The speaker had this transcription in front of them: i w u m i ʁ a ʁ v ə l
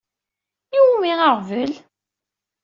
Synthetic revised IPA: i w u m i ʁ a ʁ v ə l